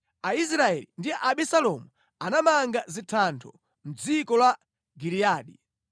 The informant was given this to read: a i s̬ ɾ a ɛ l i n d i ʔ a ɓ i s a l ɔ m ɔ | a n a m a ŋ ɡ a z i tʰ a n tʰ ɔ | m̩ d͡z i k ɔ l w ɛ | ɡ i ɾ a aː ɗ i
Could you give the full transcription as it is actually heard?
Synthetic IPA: a i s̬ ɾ a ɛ l i n d i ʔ a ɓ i s a l ɔ m u | a n a m a ŋ ɡ a z i tʰ a n tʰ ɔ | m̩ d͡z i k ɔ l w a | ɡ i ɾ i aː ɗ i